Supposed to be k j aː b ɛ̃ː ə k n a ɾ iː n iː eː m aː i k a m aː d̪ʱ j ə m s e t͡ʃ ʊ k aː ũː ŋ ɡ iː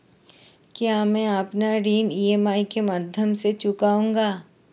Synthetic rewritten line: k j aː m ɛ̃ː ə p n a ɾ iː n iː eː m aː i k e m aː d̪ʱ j ə m s e t͡ʃ ʊ k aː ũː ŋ ɡ aː